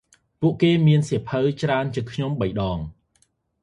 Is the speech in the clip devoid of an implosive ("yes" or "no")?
no